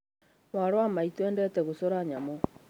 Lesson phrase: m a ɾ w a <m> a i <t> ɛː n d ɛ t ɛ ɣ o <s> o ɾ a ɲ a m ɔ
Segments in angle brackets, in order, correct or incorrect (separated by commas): correct, correct, correct